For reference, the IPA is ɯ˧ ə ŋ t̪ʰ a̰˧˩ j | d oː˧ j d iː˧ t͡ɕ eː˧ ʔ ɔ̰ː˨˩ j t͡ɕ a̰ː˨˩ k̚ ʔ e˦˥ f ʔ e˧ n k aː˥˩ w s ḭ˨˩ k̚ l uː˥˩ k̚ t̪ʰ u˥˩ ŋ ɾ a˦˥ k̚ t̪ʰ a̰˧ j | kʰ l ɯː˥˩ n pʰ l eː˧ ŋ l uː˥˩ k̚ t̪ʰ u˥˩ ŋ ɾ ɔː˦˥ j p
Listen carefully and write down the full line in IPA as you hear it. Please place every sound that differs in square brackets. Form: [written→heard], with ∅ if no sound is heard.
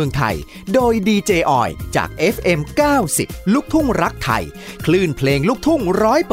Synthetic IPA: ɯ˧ ə ŋ t̪ʰ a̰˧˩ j | d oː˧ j d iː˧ t͡ɕ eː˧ ʔ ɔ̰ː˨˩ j t͡ɕ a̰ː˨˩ k̚ ʔ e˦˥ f ʔ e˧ [n→m] k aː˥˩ w s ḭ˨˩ [k̚→p̚] l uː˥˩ k̚ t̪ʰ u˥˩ ŋ ɾ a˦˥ k̚ t̪ʰ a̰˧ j | kʰ l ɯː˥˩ n pʰ l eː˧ ŋ l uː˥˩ k̚ t̪ʰ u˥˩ ŋ ɾ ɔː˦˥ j p